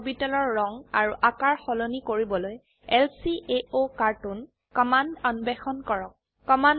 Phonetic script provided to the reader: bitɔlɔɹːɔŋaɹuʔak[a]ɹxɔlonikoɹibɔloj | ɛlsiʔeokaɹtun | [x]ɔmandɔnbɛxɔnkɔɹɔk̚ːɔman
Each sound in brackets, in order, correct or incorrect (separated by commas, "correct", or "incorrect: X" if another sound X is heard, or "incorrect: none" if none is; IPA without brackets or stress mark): correct, incorrect: k